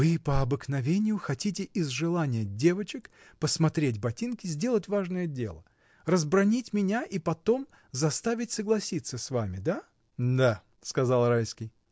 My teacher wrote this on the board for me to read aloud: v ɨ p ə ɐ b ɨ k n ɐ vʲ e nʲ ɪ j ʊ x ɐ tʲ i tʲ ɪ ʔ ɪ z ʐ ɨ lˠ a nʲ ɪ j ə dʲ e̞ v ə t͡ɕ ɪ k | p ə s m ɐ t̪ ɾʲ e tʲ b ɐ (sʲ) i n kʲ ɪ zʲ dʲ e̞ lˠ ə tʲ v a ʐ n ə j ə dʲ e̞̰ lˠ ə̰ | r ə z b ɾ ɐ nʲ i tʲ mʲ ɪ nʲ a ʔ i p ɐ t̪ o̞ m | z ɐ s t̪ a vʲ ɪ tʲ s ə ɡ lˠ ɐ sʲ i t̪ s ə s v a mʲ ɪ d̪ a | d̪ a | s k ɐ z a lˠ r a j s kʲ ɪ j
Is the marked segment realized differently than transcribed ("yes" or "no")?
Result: yes